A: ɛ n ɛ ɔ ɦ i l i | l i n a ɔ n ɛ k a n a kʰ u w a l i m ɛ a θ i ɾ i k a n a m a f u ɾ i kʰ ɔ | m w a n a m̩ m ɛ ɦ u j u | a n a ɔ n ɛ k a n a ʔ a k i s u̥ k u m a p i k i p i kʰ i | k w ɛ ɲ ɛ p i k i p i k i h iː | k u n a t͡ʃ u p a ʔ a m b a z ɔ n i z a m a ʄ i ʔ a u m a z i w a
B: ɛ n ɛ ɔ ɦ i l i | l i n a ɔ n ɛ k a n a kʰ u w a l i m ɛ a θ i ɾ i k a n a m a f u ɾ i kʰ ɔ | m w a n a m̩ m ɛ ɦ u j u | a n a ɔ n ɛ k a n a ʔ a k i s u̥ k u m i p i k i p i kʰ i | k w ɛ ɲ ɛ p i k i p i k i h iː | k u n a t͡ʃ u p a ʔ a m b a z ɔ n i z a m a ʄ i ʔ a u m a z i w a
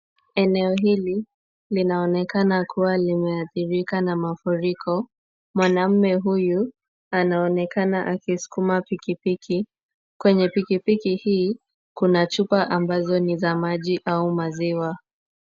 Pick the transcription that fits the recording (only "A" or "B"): A